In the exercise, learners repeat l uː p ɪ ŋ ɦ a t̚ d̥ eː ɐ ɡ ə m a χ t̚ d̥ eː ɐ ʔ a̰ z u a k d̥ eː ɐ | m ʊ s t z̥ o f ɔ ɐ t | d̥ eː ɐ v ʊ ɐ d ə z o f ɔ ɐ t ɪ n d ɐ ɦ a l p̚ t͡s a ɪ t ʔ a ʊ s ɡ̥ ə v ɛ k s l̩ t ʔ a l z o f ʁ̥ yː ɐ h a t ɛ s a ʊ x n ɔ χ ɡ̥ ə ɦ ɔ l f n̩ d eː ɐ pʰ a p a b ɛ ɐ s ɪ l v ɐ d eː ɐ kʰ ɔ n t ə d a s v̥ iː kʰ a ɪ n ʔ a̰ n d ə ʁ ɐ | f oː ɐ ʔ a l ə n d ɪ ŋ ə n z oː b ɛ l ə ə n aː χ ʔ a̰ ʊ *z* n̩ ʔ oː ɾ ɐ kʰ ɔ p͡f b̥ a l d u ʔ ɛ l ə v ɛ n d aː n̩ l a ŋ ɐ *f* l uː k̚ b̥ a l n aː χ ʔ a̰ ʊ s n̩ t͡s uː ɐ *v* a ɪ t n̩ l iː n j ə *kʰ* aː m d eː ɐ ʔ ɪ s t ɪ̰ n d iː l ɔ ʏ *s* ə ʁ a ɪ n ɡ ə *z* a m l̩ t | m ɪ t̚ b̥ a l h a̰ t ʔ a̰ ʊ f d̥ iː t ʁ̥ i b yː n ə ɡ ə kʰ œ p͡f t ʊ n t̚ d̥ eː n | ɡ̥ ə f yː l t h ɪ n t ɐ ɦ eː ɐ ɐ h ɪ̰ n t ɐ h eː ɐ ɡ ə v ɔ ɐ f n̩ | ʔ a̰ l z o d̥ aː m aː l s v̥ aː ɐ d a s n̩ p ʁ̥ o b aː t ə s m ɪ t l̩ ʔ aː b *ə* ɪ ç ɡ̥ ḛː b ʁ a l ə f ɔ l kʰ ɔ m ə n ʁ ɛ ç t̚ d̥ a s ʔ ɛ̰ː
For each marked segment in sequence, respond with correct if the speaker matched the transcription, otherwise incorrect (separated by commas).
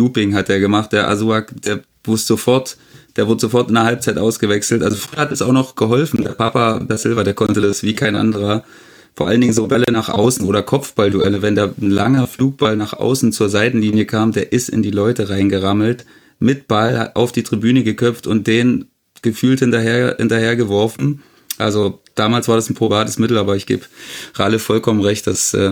incorrect, correct, incorrect, correct, incorrect, incorrect, incorrect